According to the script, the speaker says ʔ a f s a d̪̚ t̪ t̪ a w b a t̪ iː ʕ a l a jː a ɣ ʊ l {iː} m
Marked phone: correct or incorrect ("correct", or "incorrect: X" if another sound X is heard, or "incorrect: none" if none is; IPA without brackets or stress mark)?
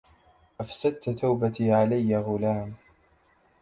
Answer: incorrect: aː